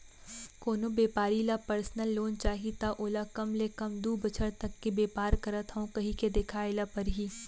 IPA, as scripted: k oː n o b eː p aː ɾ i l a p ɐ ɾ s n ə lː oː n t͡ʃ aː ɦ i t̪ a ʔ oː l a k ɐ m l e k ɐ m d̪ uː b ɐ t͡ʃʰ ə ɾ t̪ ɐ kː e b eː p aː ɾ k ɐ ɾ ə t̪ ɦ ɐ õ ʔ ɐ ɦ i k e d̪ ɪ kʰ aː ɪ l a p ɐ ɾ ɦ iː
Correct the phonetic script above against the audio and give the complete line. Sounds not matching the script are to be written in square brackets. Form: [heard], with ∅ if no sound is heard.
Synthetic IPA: k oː n o b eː p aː ɾ i l a p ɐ ɾ s n ə lː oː n t͡ʃ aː ɦ i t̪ a ʔ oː l a k ɐ m l e k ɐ m d̪ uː b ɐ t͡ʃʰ ə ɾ t̪ ɐ kː e b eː p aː ɾ k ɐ ɾ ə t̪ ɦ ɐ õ [k] ɐ ɦ i k e d̪ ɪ kʰ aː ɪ l a p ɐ ɾ ɦ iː